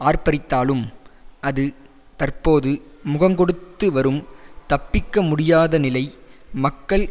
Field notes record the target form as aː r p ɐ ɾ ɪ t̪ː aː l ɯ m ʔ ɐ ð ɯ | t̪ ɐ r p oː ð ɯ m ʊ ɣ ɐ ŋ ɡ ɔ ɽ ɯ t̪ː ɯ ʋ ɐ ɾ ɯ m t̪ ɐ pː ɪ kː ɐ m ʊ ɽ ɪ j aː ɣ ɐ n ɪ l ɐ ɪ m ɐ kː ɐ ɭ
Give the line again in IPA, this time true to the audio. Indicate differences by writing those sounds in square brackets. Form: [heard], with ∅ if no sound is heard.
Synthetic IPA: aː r p ɐ ɾ ɪ t̪ː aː l ɯ m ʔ ɐ ð ɯ | t̪ ɐ r p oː ð ɯ m ʊ ɣ ɐ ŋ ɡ ɔ ɽ ɯ t̪ː ɯ ʋ ɐ ɾ ɯ m t̪ ɐ pː ɪ kː ɐ m ʊ ɽ ɪ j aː [ð] ɐ n ɪ l ɐ ɪ m ɐ kː ɐ ɭ